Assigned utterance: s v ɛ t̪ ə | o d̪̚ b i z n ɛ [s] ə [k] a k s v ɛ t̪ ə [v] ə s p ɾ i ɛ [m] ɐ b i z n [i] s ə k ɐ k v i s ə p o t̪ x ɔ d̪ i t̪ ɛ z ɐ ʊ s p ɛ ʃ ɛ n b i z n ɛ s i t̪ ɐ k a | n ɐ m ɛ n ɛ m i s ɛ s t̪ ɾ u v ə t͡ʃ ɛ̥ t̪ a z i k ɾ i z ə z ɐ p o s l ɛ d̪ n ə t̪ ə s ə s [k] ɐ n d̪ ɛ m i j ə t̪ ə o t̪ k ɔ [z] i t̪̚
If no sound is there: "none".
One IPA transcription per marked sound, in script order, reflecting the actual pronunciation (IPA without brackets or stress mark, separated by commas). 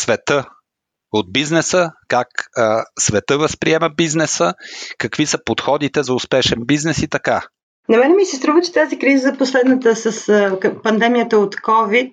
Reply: s, k, v, m, ɛ, p, v